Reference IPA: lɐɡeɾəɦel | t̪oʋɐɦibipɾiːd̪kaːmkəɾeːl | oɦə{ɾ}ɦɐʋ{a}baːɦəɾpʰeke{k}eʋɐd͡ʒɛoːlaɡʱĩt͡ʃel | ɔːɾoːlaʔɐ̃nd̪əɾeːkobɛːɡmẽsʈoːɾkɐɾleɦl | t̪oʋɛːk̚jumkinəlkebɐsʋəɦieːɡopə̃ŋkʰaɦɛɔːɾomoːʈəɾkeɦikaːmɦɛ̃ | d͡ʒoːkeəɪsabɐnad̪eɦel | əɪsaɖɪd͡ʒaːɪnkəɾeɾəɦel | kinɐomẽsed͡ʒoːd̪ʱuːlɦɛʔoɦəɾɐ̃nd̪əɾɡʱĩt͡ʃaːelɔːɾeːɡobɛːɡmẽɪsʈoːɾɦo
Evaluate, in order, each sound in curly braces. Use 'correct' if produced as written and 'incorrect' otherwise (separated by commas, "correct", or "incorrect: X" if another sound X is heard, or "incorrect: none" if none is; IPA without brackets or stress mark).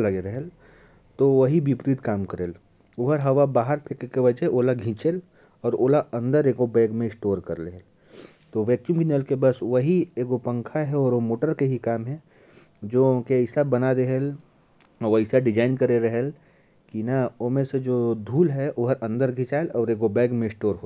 correct, correct, correct